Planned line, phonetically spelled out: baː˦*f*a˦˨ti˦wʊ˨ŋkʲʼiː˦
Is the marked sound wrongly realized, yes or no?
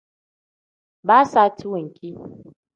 yes